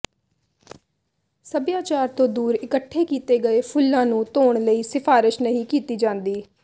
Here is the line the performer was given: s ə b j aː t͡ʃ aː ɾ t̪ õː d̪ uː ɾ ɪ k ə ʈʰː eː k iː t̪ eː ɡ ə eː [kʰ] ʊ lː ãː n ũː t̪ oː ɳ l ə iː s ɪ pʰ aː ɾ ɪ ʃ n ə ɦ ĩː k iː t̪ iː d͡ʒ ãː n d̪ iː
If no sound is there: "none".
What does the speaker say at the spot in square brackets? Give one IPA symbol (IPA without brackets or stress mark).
pʰ